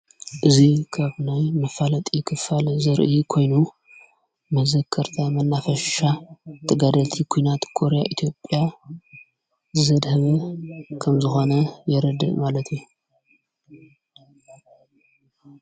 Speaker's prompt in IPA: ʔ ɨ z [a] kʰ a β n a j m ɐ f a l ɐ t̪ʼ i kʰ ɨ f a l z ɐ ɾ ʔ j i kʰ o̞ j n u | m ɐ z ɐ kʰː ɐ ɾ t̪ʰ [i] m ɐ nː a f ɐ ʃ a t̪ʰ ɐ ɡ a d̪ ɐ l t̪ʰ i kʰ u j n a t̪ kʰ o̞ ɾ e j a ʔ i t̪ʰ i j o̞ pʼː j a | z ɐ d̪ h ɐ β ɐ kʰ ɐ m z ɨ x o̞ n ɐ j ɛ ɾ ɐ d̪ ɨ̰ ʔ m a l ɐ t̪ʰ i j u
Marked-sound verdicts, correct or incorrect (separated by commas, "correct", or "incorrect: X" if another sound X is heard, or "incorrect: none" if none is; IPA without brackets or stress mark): incorrect: i, incorrect: a